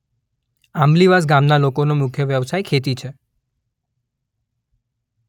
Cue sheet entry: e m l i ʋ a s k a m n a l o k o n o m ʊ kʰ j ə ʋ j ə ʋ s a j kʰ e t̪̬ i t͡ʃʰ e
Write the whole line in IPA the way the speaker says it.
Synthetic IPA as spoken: a m l i ʋ a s ɡ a m n a l o k o n o m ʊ kʰ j ə ʋ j ə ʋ s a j kʰ e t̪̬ i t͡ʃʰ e